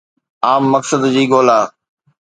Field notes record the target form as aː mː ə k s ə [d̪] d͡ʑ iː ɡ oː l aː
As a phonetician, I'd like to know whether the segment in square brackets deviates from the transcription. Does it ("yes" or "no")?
no